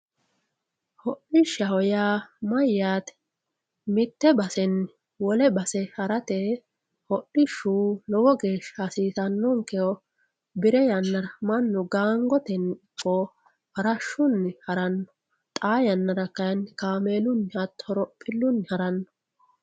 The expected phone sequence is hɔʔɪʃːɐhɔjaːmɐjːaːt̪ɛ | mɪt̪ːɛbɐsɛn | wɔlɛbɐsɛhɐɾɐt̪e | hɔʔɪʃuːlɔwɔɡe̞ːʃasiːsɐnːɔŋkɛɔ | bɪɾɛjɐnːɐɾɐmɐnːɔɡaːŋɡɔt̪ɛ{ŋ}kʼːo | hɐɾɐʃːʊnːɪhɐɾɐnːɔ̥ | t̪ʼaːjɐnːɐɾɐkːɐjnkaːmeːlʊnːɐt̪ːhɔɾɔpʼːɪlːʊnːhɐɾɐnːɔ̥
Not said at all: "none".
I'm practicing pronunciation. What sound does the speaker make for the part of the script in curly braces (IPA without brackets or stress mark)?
n